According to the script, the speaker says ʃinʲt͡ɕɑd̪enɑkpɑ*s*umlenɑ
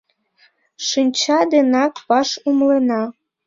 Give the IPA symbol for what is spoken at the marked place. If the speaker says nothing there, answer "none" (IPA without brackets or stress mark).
ʃ